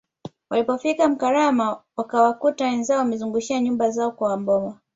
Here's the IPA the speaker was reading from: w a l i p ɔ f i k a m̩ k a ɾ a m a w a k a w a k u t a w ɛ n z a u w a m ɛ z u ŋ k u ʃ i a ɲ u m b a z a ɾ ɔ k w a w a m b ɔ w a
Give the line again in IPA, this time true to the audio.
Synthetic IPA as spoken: w a l i p ɔ f i k a m̩ k a ɾ a m a w a k a w a k u t a w ɛ n z a ɔ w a m ɛ z u ŋ ɡ u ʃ i a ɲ u m b a z a ɔ k w a w a m b ɔ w a